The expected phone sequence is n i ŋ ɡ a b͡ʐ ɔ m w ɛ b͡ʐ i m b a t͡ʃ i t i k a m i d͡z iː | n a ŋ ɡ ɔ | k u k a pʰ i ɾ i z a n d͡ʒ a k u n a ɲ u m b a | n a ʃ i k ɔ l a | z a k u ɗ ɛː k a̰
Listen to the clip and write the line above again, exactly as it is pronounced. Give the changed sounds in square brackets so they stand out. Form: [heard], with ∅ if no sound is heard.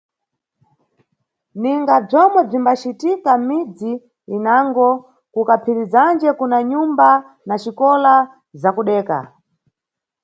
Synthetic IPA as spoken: n i ŋ ɡ a b͡ʐ ɔ m w ɛ b͡ʐ i m b a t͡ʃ i t i k a m i d͡z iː | n a ŋ ɡ ɔ | k u k a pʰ i ɾ i z a n d͡ʒ [ɛ] k u n a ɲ u m b a | n a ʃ i k ɔ l a | z a k u ɗ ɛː k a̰